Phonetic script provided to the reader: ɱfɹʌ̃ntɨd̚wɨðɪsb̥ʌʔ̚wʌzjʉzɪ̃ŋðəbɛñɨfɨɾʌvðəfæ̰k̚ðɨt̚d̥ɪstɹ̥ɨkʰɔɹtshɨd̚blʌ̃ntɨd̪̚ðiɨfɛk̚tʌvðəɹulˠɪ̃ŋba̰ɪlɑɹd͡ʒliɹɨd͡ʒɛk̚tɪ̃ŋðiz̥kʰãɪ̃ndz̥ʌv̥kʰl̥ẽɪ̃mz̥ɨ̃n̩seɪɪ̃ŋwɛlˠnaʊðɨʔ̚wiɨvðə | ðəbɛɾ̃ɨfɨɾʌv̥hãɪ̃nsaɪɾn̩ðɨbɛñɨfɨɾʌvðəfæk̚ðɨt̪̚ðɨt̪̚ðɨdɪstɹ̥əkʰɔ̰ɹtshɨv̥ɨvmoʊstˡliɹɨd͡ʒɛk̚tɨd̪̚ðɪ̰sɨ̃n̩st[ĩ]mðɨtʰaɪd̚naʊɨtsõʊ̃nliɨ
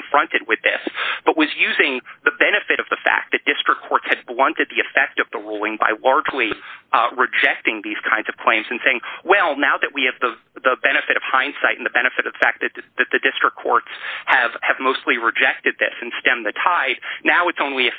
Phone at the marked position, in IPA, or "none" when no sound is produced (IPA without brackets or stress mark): ɛ̃